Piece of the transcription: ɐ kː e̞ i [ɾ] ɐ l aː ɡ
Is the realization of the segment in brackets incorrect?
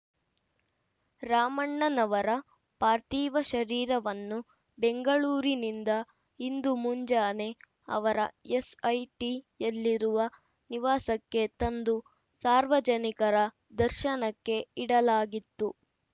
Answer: yes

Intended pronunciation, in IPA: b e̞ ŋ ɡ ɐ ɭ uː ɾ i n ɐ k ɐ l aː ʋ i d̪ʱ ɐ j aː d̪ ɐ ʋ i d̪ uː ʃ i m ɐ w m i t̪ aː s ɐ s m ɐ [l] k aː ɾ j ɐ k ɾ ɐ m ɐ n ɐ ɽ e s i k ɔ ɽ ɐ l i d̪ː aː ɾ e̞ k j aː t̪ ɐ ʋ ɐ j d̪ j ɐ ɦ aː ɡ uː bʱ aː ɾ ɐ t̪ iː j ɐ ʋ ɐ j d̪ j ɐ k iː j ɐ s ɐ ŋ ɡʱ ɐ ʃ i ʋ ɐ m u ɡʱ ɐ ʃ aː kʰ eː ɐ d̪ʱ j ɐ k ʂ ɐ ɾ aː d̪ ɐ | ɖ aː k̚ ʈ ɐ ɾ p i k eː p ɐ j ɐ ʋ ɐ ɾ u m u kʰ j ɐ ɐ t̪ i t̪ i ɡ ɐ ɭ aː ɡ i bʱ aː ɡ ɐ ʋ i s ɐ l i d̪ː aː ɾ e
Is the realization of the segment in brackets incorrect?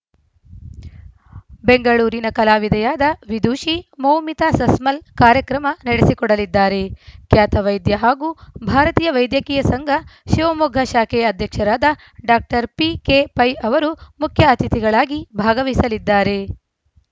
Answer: no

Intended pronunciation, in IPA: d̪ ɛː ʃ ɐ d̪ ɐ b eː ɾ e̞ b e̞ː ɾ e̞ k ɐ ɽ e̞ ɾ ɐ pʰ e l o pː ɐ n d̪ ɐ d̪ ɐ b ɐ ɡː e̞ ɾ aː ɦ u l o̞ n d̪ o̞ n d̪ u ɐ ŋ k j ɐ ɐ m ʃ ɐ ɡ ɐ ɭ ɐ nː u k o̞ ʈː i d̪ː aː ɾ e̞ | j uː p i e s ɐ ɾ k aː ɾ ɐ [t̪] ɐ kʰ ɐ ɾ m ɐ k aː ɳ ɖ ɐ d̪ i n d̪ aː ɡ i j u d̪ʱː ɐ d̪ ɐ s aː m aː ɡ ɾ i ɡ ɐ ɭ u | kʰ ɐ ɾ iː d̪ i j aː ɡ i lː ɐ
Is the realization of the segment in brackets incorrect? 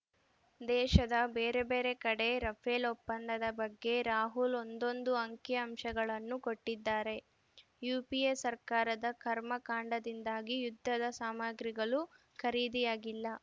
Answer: yes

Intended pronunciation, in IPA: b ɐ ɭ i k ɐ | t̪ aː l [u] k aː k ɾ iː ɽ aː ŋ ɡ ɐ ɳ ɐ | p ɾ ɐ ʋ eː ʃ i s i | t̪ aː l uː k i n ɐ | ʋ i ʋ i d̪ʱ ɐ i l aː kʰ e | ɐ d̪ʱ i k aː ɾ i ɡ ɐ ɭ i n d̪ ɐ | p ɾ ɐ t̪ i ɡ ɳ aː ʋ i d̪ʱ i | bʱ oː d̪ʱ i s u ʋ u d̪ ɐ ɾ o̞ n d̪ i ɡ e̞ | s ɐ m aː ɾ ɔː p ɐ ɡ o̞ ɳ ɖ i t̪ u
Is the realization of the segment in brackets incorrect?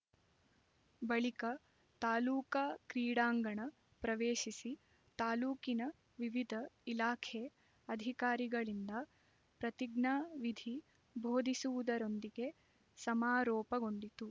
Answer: yes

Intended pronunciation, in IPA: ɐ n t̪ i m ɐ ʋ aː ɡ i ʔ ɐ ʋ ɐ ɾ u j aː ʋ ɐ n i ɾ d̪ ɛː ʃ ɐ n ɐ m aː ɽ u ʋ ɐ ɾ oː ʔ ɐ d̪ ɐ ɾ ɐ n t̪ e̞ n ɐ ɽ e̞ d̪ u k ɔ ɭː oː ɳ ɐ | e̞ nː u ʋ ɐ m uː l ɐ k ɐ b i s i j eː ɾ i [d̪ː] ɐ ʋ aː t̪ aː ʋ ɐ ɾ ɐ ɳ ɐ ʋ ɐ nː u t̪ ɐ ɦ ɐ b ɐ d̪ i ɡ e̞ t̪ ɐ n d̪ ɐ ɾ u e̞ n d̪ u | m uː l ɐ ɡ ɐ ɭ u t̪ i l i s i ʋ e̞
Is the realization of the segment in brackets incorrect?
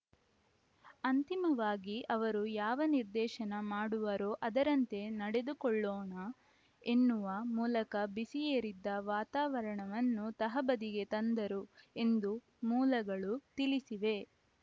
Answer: no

